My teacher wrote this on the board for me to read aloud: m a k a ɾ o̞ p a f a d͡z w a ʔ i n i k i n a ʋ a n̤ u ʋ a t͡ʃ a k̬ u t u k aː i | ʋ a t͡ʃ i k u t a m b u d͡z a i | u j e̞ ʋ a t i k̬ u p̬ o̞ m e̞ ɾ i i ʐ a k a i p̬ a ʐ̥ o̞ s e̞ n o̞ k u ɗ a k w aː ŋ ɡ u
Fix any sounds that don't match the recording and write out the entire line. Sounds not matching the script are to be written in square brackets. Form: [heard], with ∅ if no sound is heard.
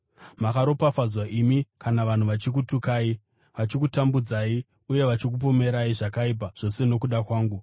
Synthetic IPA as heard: m a k a ɾ o̞ p a f a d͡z w a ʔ i [m] i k [a] n a ʋ a n̤ u ʋ a t͡ʃ [i] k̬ u t u k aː i | ʋ a t͡ʃ i k u t a m b u d͡z a i | u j e̞ ʋ a [t͡ʃ] i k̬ u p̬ o̞ m e̞ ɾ [a] i ʐ a k a i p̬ a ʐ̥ o̞ s e̞ n o̞ k u ɗ a k w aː ŋ ɡ u